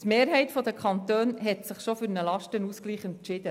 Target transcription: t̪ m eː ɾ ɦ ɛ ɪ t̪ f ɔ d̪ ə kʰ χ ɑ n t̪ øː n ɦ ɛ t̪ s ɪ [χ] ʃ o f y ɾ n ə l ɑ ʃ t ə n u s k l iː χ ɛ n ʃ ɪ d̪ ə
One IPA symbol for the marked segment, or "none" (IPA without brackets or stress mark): χ